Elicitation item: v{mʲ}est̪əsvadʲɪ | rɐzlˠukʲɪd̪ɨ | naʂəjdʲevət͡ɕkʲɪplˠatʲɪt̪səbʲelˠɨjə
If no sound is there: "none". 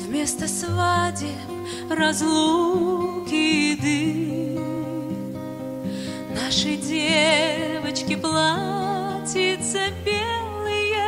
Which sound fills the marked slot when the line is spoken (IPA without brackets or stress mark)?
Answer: mʲ